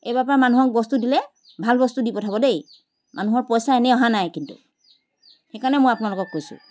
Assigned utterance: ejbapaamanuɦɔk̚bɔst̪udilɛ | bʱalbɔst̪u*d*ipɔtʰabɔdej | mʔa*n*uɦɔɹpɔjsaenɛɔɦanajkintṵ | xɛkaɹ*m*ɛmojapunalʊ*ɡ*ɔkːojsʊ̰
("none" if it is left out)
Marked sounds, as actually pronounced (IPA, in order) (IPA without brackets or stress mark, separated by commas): d, n, n, k